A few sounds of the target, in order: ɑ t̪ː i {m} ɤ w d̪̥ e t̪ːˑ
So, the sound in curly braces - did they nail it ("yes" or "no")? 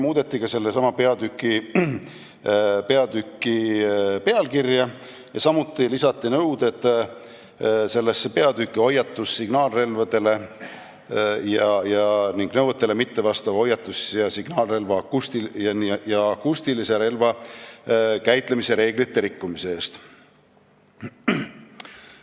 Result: no